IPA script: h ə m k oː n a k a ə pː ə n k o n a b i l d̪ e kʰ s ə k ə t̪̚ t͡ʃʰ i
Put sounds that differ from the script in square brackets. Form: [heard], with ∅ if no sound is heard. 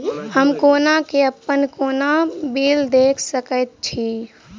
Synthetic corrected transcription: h ə m k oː n a k [e] ə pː ə n k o n a b i l d̪ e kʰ s ə k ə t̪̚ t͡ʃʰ i